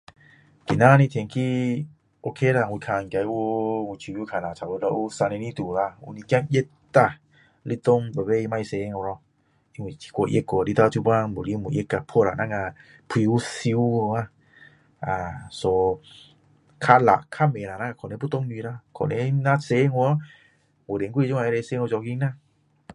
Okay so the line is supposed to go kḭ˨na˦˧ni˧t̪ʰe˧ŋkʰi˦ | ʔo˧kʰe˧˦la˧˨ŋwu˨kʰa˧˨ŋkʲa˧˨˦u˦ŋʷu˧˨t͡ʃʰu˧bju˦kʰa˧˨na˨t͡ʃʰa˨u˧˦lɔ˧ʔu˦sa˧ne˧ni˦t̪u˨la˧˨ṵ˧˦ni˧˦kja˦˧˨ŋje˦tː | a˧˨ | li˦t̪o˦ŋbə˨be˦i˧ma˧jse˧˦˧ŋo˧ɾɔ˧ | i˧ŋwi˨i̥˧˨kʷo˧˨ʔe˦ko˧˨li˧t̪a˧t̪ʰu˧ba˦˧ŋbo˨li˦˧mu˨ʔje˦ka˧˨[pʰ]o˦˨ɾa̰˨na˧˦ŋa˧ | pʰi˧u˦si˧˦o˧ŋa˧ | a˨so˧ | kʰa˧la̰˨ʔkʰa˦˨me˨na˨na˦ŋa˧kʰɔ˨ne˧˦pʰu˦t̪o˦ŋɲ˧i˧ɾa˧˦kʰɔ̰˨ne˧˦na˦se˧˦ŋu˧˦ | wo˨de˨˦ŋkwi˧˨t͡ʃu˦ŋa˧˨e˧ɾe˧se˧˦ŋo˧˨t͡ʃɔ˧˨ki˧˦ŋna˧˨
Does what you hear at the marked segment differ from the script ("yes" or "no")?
no